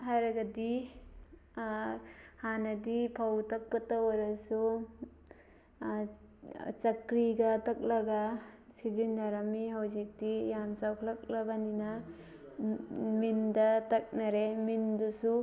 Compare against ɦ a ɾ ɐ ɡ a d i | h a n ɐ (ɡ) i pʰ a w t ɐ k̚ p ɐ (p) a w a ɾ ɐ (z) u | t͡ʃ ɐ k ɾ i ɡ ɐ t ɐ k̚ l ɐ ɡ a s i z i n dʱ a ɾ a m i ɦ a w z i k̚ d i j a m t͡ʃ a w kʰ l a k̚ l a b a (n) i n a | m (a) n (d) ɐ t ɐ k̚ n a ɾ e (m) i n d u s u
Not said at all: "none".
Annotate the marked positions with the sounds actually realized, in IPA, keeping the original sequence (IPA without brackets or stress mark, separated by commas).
d, t, s, n, i, d, m